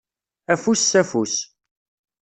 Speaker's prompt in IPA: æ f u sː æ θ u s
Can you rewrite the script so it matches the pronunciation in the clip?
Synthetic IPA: æ f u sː æ f u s